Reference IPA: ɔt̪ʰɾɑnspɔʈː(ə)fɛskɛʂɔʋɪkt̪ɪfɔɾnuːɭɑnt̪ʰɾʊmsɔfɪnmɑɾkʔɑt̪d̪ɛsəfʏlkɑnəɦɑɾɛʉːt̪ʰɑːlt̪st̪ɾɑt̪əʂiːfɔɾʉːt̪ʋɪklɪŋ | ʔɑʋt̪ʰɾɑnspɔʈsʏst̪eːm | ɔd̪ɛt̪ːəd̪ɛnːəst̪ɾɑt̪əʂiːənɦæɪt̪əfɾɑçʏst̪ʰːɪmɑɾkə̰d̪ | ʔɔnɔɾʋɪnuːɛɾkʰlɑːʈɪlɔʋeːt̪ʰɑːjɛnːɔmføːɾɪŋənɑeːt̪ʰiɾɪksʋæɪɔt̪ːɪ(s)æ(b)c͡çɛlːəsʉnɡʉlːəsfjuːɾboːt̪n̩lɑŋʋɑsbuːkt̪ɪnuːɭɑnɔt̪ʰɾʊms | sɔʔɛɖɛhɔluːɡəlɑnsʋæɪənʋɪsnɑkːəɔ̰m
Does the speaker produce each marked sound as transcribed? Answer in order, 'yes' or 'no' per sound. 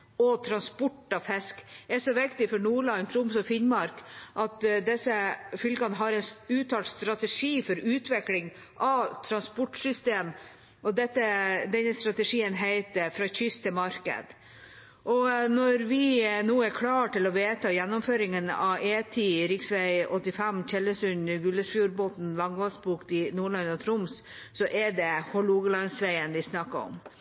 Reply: no, no, no

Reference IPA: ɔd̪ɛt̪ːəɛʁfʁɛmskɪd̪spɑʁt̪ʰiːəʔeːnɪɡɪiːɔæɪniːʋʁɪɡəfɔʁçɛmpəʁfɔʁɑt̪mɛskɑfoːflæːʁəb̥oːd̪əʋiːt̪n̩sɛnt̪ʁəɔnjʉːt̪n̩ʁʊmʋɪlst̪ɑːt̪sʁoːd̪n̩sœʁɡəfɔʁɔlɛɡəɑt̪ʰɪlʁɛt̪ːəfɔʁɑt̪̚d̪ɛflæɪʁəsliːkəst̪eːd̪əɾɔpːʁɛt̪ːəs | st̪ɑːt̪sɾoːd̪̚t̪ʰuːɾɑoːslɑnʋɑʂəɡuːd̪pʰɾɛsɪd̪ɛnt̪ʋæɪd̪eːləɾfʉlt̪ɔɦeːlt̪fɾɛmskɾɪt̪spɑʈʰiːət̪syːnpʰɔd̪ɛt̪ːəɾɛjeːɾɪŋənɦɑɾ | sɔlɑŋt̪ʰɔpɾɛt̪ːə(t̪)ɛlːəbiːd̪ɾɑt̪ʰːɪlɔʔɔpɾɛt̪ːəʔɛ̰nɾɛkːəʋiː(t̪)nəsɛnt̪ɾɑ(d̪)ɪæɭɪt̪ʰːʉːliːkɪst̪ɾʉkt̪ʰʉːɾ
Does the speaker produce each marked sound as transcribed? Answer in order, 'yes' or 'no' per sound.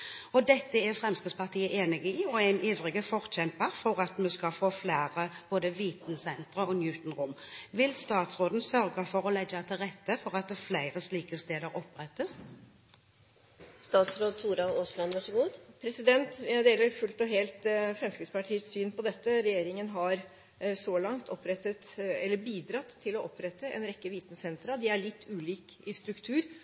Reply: yes, yes, yes

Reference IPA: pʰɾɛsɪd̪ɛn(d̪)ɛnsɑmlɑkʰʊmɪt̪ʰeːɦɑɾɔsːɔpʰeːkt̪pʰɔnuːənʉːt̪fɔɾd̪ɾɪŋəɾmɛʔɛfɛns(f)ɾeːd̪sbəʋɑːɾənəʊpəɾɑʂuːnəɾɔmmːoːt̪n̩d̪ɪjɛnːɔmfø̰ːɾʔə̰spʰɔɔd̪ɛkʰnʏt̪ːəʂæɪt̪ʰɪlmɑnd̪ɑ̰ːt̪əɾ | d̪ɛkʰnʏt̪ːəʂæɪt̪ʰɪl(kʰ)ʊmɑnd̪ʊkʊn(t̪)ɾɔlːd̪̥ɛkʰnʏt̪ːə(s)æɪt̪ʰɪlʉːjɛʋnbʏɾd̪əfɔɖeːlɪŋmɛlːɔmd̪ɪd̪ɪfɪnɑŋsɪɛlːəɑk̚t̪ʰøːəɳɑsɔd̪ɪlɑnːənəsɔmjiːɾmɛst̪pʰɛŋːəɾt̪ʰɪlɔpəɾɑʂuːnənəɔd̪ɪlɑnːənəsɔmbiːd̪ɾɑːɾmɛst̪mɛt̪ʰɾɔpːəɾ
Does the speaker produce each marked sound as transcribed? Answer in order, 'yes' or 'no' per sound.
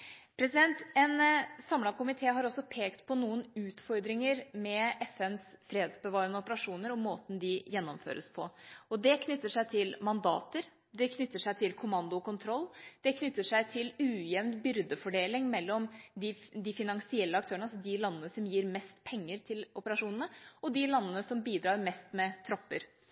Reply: no, yes, yes, no, no

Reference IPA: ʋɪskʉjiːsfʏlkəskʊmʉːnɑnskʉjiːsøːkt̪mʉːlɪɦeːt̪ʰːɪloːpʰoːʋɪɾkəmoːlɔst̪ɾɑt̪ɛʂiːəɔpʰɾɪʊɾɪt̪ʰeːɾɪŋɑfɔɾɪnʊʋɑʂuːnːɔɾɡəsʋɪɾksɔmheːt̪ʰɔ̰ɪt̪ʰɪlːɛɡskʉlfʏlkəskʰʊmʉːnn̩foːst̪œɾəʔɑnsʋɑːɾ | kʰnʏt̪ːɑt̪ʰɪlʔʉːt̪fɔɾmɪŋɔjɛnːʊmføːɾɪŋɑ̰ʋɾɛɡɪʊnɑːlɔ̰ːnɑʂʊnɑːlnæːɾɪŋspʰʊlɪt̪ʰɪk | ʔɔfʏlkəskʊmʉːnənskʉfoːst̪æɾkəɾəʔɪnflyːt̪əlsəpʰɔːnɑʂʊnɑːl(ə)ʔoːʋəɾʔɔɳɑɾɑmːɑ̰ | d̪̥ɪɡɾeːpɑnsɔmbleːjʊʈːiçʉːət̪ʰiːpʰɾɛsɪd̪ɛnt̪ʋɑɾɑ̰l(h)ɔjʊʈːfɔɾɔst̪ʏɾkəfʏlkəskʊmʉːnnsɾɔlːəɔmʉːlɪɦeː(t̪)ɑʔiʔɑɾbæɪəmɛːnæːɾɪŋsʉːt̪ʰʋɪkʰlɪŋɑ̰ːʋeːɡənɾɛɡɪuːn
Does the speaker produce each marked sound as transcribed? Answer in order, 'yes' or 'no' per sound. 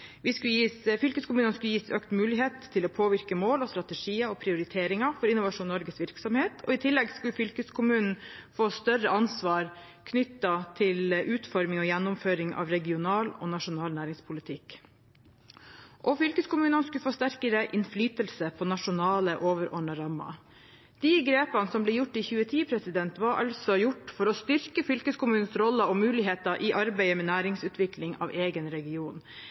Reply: yes, no, yes

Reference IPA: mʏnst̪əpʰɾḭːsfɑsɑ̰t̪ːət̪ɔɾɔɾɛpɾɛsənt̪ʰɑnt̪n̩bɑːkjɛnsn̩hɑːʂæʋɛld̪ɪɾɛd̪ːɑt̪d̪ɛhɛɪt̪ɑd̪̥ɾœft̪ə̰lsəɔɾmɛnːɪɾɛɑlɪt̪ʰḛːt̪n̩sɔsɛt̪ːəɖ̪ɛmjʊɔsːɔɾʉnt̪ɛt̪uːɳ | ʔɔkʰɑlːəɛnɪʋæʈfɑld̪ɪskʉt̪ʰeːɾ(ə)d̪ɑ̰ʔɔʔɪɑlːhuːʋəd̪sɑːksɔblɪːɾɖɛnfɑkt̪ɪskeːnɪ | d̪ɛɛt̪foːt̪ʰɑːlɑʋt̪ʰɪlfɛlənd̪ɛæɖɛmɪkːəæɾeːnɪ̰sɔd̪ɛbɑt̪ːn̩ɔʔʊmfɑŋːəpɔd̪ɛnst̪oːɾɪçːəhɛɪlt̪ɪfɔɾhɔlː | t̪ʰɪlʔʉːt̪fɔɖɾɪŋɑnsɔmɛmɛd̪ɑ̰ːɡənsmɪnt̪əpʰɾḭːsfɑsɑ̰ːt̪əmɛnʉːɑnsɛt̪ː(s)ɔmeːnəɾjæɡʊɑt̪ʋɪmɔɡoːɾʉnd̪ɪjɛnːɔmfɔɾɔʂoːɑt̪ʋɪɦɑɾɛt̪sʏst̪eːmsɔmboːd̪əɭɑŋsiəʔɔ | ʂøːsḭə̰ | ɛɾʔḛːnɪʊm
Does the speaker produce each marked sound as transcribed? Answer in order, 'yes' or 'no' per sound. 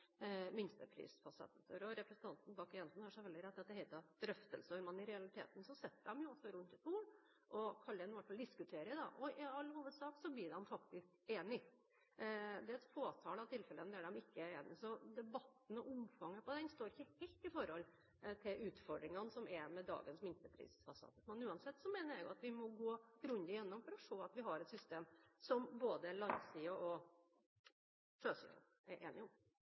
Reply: yes, yes

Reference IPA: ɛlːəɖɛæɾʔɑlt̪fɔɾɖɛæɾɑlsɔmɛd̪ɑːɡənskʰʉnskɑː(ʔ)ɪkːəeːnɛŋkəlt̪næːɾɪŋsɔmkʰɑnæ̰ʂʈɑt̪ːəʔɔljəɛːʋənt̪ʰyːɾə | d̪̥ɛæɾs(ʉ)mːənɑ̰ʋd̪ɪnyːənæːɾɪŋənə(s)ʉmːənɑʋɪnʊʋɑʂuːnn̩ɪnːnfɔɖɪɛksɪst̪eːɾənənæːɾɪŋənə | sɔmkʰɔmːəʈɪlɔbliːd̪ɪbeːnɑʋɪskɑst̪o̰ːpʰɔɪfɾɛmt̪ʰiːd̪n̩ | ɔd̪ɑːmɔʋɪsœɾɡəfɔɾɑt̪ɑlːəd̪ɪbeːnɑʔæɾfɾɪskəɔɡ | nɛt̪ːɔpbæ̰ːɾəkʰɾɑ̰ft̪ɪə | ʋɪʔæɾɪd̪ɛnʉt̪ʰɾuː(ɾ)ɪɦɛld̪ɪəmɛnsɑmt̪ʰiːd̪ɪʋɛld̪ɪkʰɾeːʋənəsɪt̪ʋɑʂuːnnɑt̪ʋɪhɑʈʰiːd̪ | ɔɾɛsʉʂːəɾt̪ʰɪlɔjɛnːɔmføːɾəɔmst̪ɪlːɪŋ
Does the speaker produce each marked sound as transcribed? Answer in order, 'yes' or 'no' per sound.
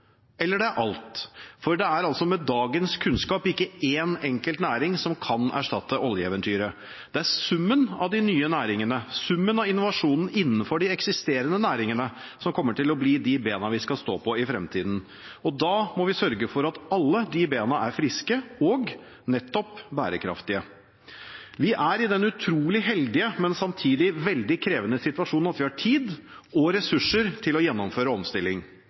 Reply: no, yes, yes, no

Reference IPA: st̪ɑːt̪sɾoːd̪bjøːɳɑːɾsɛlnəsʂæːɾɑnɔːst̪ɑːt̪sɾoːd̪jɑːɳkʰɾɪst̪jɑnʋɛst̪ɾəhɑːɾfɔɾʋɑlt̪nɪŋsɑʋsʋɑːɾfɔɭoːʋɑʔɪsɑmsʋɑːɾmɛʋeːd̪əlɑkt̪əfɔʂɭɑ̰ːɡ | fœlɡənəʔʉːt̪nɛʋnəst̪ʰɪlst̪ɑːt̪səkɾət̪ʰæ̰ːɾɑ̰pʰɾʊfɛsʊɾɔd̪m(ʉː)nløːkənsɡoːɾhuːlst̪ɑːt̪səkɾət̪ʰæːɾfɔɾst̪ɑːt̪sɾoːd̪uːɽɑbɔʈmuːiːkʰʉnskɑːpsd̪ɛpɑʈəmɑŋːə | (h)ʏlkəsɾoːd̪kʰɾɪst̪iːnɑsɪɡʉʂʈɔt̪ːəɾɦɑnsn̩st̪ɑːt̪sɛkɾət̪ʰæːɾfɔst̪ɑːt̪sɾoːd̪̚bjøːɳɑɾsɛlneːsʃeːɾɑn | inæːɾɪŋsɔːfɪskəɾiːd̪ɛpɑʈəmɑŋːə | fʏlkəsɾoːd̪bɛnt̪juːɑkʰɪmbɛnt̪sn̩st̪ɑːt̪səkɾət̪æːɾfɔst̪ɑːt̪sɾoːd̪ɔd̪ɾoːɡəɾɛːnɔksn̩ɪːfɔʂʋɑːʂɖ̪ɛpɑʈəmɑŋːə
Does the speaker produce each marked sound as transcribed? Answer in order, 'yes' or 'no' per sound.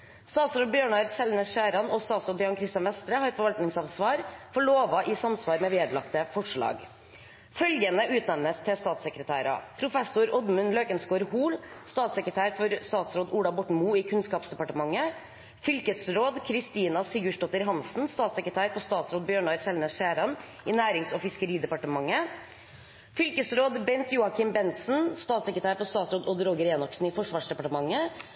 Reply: no, no

